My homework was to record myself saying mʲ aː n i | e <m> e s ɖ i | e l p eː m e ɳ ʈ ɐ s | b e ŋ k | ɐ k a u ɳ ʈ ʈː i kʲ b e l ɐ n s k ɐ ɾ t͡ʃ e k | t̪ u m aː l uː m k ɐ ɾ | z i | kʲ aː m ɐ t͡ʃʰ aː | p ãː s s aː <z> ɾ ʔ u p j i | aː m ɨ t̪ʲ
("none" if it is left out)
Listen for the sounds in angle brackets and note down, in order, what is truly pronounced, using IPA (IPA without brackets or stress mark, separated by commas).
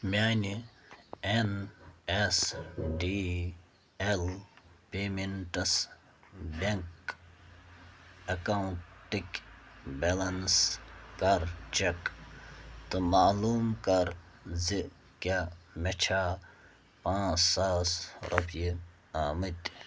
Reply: n, s